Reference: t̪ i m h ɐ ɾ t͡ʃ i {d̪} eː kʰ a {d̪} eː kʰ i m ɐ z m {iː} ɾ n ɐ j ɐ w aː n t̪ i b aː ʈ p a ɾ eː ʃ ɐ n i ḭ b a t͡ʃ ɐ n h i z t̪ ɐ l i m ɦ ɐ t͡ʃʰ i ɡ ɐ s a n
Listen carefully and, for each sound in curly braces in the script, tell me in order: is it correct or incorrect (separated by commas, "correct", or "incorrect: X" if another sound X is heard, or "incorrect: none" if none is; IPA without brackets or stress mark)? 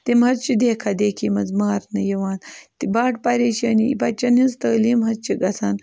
correct, correct, incorrect: aː